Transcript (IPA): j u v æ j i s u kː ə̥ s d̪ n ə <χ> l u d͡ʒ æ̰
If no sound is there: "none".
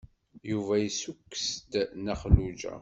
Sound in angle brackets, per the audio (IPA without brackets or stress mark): χ